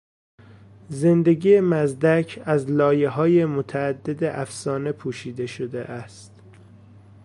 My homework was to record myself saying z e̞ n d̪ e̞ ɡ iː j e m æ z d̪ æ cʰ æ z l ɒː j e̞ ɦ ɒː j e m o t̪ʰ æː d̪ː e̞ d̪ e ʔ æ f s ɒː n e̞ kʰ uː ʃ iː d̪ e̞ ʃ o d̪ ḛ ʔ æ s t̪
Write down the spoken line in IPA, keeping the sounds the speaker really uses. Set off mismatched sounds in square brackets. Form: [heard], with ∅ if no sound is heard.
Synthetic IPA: z e̞ n d̪ e̞ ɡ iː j e m æ z d̪ æ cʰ æ z l ɒː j e̞ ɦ ɒː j e m o t̪ʰ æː d̪ː e̞ d̪ e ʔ æ f s ɒː n e̞ [pʰ] uː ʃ iː d̪ e̞ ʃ o d̪ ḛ ʔ æ s t̪

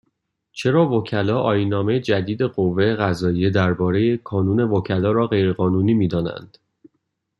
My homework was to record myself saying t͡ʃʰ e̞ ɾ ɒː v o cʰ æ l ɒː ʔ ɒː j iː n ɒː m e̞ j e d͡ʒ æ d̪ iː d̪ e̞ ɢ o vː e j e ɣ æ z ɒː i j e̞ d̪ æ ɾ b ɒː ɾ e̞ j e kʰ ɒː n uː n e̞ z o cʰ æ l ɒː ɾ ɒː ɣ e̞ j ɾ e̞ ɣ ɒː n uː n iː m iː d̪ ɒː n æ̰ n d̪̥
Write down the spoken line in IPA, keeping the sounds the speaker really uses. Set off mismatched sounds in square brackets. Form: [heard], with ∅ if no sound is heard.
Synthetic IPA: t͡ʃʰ e̞ ɾ ɒː v o cʰ æ l ɒː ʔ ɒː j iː n ɒː m e̞ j e d͡ʒ æ d̪ iː d̪ e̞ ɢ o vː e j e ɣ æ z ɒː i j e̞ d̪ æ ɾ b ɒː ɾ e̞ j e kʰ ɒː n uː n e̞ [v] o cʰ æ l ɒː ɾ ɒː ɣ e̞ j ɾ e̞ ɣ ɒː n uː n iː m iː d̪ ɒː n æ̰ n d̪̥

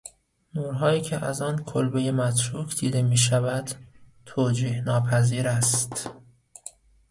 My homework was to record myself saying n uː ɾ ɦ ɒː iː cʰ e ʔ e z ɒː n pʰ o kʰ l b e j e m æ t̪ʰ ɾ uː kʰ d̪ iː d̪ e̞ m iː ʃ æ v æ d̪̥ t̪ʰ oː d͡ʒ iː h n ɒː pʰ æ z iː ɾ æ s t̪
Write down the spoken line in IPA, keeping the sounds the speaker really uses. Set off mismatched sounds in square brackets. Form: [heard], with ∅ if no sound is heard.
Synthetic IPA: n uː ɾ ɦ ɒː iː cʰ e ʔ [æ] z ɒː n [kʰ] o [∅] l b e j e m æ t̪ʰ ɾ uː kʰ d̪ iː d̪ e̞ m iː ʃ æ v æ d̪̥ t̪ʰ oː d͡ʒ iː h n ɒː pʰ æ z iː ɾ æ s t̪

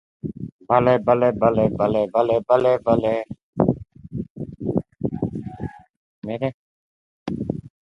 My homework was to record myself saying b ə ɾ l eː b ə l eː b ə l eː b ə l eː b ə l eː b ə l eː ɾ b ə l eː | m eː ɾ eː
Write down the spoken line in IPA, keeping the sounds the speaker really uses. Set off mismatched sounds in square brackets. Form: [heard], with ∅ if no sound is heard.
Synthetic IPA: b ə [∅] l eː b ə l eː b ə l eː b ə l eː b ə l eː b ə l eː [∅] b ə l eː | m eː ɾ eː

